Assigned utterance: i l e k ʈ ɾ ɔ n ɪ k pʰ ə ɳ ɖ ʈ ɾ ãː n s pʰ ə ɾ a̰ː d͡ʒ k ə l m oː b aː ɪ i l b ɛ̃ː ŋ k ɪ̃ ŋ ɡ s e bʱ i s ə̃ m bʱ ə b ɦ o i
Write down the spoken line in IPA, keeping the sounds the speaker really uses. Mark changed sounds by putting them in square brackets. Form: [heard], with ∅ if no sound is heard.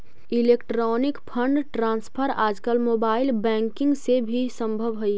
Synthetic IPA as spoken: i l e k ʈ ɾ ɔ n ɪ k pʰ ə ɳ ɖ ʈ ɾ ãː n s pʰ ə ɾ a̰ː d͡ʒ k ə l m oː b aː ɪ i l b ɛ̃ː ŋ k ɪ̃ ŋ ɡ s e bʱ i s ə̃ m bʱ ə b ɦ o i